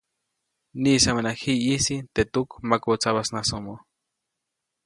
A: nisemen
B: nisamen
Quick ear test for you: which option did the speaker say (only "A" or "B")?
B